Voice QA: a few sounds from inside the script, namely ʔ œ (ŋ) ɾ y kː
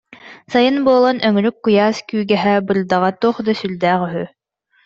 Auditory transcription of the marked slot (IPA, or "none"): ŋ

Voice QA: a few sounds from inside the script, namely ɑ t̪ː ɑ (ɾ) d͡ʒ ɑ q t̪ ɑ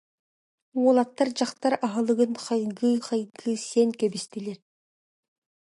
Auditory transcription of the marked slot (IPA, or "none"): ɾ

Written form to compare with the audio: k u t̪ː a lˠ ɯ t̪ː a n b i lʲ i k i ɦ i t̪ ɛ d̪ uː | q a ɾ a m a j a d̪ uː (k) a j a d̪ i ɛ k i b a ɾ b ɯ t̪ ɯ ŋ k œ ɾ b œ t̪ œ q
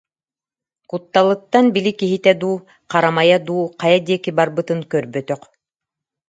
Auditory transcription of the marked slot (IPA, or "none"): q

